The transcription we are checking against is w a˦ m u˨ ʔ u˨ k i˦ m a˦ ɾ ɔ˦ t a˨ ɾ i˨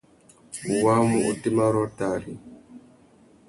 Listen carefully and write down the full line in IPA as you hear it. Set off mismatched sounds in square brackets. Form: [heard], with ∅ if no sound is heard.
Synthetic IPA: w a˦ m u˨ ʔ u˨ [t] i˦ m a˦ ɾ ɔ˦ t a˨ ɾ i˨